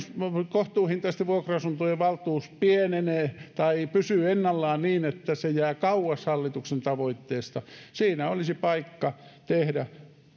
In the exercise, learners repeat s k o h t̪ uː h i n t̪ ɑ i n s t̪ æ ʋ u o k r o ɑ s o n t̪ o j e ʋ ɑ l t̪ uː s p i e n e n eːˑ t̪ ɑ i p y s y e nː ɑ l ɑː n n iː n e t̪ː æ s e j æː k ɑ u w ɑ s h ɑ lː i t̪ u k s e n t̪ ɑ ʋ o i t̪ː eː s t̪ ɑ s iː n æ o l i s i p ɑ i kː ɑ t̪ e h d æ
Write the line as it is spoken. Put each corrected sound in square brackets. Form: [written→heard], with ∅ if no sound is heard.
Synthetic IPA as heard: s k o h t̪ uː h i n t̪ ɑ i [n→∅] s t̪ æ ʋ u o k r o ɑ s [o→u] n t̪ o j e ʋ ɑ l t̪ uː s p i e n e n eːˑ t̪ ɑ i p y s y e nː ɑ [l→lː] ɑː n n iː n e t̪ː æ s e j æː k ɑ u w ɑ s h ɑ lː i t̪ u k s e n t̪ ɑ ʋ o i t̪ː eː s t̪ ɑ s iː n æ o l i s i p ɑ i kː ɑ t̪ e h d æ

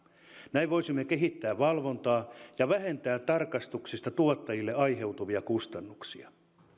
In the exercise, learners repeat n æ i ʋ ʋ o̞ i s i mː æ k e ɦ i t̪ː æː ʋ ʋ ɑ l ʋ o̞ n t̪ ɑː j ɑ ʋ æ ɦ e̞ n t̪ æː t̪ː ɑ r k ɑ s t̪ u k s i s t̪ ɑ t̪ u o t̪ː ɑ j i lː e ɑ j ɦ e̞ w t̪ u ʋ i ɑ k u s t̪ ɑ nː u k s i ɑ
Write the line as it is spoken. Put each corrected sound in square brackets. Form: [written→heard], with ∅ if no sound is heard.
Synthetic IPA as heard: n æ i ʋ ʋ o̞ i s i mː [æ→e] k e ɦ i t̪ː æː ʋ ʋ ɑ l ʋ o̞ n t̪ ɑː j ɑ ʋ æ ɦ e̞ n t̪ æː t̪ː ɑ r k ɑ s t̪ u k s i s t̪ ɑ t̪ u o t̪ː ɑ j i lː e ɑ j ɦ e̞ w t̪ u ʋ i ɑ k u s t̪ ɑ nː u k s i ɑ

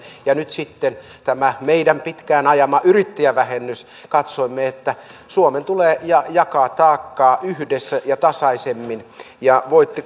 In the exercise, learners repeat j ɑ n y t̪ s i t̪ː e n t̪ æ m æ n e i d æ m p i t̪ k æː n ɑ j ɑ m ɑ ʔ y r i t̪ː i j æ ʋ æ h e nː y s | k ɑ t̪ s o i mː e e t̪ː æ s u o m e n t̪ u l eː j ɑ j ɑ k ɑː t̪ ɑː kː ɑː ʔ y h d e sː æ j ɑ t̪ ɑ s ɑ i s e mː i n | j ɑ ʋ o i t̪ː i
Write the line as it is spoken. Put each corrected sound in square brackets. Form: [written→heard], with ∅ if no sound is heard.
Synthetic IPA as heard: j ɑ n y t̪ s i t̪ː e n t̪ æ m æ [n→m] e i d æ m p i t̪ k æː n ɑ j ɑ m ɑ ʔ y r i t̪ː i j æ ʋ æ h e nː y s | k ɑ t̪ s o i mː e e t̪ː æ s u o m e n t̪ u l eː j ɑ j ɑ k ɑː t̪ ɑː kː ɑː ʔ y h d e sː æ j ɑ t̪ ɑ s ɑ i s e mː i n | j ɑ ʋ o i t̪ː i

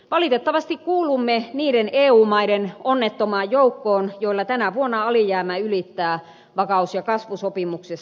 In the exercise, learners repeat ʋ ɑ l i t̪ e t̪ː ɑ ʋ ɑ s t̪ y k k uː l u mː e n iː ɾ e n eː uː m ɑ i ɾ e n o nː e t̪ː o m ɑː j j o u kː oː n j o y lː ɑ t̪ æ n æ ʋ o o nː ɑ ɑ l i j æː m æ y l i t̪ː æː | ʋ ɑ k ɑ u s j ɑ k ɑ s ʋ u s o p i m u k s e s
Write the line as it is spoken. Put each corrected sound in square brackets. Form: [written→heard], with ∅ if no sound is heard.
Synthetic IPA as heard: ʋ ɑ l i t̪ e t̪ː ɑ ʋ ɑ s t̪ [y→i] k k uː l u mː e n iː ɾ e n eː uː m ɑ i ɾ e n o nː e t̪ː o m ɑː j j o u kː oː n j o [y→i] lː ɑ t̪ æ n æ ʋ [o→u] o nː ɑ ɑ l i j æː m æ y l i t̪ː æː | ʋ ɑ k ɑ u s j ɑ k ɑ s ʋ u s o p i m u k s e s

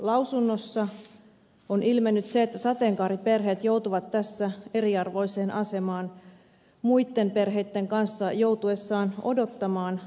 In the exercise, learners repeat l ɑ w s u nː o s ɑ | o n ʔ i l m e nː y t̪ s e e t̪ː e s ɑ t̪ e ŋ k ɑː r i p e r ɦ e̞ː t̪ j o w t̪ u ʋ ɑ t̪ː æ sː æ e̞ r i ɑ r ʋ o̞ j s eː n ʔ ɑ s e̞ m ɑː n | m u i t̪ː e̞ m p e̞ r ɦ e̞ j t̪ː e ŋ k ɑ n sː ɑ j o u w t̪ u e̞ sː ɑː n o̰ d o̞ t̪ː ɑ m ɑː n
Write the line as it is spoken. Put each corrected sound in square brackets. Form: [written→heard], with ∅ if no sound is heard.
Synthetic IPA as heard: l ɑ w s u nː o [s→sː] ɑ | o n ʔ i l m e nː y t̪ s e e t̪ː [e→æ] s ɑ t̪ e ŋ k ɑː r i p e r ɦ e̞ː t̪ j o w t̪ u ʋ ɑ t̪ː æ sː æ e̞ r i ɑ r ʋ o̞ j s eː n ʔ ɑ s e̞ m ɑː n | m u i t̪ː e̞ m p e̞ r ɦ e̞ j t̪ː e ŋ k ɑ n sː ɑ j o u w t̪ u e̞ sː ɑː n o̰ d o̞ t̪ː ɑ m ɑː n

